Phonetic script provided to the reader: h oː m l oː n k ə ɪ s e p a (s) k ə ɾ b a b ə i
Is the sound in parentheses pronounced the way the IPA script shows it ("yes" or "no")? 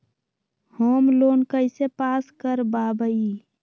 yes